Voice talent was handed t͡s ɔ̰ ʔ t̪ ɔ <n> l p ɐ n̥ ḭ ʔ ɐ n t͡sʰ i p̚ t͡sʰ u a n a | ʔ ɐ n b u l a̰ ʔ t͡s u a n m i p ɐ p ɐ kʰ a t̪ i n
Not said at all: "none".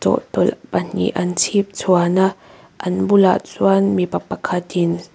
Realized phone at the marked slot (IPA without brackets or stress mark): none